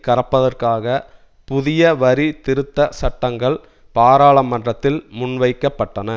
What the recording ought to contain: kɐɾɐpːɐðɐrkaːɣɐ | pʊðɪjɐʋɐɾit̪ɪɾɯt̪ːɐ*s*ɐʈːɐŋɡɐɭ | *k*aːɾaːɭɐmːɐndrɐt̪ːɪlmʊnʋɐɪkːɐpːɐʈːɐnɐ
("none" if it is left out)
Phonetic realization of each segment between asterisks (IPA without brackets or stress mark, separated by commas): s, p